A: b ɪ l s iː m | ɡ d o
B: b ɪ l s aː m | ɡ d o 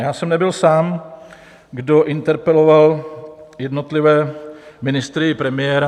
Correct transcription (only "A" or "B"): B